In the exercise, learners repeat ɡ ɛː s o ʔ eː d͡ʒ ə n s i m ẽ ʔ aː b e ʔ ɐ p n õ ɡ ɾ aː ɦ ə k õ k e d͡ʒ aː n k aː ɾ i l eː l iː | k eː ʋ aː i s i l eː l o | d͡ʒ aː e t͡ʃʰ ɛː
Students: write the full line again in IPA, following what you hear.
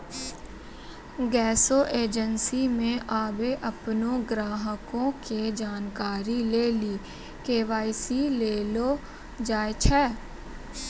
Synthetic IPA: ɡ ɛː s o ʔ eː d͡ʒ ə n s i m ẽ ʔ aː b e ʔ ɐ p n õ ɡ ɾ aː ɦ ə k õ k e d͡ʒ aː n k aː ɾ i l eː l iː | k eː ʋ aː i s i l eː l o | d͡ʒ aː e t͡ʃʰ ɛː